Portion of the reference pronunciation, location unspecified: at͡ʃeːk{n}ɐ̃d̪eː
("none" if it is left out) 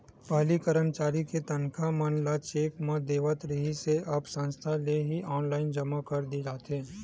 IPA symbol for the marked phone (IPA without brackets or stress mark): m